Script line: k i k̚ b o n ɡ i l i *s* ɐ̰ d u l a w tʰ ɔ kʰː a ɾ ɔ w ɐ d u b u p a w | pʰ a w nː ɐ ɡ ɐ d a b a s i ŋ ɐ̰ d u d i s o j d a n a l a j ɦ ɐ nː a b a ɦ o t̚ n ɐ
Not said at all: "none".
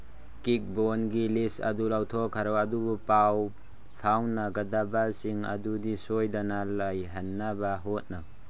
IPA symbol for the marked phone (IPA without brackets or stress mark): s